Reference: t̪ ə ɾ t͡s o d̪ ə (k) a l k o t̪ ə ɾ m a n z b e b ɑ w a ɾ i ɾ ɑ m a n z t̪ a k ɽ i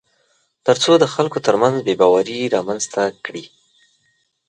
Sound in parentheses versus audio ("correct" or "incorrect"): incorrect